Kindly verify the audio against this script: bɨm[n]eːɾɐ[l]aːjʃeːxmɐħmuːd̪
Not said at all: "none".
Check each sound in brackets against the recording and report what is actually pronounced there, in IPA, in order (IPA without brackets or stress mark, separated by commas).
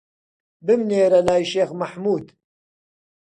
n, l